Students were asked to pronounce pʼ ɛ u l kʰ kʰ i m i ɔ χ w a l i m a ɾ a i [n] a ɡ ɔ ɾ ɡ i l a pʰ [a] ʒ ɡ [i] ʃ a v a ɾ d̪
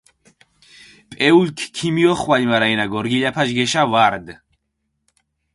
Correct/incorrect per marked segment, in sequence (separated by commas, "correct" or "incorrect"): correct, correct, incorrect